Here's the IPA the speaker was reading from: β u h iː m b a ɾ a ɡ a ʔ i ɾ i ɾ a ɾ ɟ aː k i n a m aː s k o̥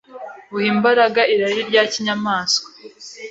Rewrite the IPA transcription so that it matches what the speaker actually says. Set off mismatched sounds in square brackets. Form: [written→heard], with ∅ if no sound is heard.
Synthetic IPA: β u h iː m b a ɾ a ɡ a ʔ i ɾ [i→a] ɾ [a→i] ɾ ɟ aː [k→c] i [n→ɲ] a m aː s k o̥